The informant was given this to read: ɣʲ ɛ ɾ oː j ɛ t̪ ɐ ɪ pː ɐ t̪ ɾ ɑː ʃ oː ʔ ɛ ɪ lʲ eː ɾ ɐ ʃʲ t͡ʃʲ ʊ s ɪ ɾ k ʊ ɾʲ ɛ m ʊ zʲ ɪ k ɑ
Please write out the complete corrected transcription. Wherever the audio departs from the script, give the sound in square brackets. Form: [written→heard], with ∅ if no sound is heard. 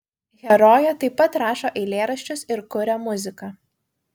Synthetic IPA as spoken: ɣʲ ɛ ɾ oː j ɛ t̪ ɐ ɪ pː ɐ t̪ ɾ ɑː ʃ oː ʔ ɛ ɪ lʲ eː ɾ ɐ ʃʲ t͡ʃʲ ʊ s ɪ ɾ k ʊ ɾʲ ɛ m ʊ zʲ ɪ k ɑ